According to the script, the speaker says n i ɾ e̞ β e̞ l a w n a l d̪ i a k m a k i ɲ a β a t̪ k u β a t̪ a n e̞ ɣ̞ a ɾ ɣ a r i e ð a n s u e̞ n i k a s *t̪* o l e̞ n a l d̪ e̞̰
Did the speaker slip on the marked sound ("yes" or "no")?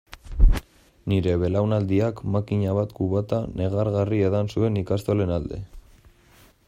no